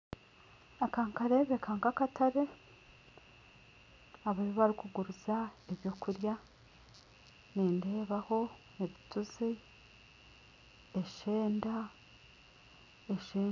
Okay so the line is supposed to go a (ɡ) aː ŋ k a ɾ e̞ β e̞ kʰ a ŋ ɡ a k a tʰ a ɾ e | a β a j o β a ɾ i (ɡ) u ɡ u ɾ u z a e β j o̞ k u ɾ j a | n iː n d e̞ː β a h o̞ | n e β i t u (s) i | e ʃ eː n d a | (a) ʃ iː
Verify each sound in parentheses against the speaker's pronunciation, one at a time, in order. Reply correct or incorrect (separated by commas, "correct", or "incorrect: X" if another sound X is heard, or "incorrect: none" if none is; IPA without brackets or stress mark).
incorrect: k, incorrect: k, incorrect: z, incorrect: e